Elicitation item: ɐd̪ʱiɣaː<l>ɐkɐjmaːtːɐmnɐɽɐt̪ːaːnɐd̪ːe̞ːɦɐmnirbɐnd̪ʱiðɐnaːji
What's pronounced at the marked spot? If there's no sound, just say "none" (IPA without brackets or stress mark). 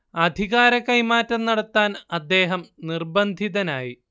ɾ